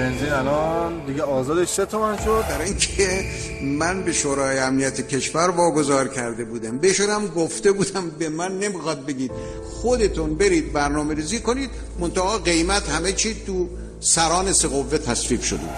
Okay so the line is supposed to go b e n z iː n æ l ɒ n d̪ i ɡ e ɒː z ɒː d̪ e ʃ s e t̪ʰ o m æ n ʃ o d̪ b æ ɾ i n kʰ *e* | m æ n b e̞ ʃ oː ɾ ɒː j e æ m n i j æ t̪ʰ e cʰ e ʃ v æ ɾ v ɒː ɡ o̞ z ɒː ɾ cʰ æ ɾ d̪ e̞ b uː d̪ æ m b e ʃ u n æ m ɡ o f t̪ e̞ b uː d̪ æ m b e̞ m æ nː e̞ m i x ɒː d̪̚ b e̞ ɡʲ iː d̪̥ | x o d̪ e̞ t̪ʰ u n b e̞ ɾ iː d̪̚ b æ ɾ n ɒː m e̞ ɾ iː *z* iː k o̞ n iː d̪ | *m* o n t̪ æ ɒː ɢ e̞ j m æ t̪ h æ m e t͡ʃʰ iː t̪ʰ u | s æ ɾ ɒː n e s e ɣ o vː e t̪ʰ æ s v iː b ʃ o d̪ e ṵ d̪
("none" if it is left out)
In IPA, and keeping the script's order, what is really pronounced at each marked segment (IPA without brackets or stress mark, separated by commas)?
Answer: e, z, m